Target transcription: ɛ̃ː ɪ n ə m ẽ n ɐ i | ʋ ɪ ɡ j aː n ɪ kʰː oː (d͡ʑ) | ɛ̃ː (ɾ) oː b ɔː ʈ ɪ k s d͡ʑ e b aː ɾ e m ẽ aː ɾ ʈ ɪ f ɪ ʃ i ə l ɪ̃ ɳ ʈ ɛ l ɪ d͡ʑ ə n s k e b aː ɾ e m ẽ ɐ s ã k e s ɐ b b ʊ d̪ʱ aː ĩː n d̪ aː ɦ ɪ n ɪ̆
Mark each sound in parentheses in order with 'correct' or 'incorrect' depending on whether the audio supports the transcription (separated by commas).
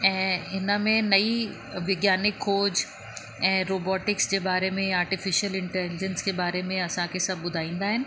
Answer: correct, correct